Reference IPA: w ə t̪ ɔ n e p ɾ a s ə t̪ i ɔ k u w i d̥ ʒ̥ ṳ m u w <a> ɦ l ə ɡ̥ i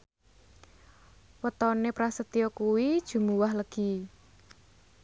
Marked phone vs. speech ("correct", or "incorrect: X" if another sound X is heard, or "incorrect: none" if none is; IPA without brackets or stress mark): correct